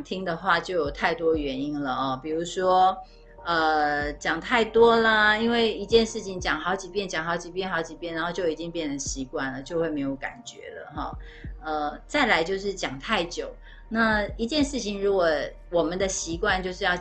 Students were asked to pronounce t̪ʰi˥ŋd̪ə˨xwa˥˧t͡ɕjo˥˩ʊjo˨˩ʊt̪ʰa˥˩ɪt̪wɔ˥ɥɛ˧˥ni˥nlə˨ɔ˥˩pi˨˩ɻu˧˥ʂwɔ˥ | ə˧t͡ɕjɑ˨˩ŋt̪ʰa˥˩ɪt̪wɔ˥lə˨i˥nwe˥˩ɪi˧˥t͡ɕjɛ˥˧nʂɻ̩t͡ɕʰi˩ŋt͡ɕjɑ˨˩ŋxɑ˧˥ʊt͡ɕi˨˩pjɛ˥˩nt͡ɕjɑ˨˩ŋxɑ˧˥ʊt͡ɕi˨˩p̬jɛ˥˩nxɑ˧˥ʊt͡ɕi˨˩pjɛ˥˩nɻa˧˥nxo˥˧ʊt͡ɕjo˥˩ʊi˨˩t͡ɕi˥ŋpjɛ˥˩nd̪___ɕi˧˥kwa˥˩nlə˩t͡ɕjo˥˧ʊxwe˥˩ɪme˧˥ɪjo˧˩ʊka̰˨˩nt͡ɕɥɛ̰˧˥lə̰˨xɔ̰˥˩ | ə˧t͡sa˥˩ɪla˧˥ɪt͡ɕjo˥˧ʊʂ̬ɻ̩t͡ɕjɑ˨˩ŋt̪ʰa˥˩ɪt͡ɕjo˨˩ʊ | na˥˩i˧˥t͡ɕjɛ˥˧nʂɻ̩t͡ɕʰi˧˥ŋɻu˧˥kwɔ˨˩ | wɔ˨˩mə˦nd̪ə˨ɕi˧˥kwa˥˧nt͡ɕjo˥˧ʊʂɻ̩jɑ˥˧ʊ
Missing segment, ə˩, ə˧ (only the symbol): ə˩